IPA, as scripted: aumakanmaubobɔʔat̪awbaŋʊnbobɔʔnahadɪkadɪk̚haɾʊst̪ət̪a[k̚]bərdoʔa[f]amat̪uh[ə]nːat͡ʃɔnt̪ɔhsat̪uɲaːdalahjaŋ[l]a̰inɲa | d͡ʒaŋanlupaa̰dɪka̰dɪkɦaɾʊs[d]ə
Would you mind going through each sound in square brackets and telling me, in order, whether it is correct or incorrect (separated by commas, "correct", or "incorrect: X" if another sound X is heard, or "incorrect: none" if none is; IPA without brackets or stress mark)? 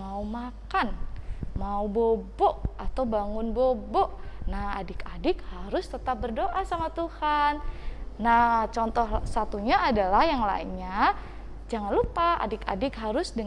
incorrect: p̚, incorrect: s, incorrect: a, correct, correct